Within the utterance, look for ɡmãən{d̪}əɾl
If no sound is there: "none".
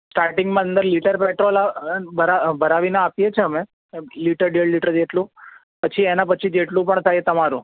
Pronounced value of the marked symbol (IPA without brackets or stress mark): d̪